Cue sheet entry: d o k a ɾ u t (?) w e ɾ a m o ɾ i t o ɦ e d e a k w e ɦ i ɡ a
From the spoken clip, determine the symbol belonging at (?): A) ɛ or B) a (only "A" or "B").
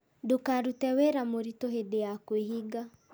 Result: A